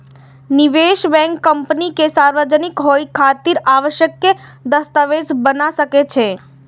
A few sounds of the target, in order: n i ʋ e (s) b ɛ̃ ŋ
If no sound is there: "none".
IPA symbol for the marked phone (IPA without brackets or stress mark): ʃ